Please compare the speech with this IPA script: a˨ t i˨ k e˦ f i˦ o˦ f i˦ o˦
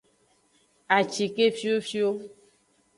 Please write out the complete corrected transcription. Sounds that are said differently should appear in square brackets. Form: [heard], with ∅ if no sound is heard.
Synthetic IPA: a˨ [t͡ʃ] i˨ k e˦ f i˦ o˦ f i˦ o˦